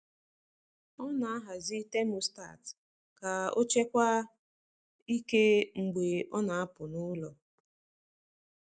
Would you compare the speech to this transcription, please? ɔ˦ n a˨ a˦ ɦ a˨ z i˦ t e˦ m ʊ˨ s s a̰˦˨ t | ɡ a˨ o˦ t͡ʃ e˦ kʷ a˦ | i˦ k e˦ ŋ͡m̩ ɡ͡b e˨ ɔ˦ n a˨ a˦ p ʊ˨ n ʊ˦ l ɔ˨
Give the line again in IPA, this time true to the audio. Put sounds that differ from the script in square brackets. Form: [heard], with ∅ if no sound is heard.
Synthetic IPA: ɔ˦ n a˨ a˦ ɦ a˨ z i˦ t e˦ m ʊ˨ s [t] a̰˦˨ t | [k] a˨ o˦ t͡ʃ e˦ kʷ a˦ | i˦ k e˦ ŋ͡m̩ ɡ͡b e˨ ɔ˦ n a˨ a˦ p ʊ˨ n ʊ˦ l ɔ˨